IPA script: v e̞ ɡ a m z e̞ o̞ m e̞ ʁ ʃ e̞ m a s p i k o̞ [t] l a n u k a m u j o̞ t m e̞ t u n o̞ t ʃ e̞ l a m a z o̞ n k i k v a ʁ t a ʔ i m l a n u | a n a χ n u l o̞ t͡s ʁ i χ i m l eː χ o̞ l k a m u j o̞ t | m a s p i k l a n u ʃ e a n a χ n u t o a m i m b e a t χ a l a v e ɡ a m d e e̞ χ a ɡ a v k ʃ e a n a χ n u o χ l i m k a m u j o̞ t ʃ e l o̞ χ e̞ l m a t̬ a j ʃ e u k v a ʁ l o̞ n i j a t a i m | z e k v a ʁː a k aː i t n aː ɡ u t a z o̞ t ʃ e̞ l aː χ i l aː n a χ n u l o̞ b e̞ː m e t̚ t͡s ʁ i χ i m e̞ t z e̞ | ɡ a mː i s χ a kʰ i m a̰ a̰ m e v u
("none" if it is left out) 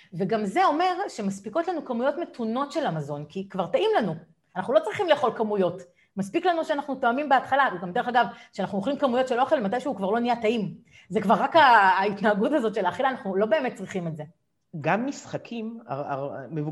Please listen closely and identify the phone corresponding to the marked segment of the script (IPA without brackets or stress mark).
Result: t